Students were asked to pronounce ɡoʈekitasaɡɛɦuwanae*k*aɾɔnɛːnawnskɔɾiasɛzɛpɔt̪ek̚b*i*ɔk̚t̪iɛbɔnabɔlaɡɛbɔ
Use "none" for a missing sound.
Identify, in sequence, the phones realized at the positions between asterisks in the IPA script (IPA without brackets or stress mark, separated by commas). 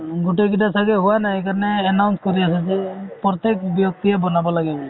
k, j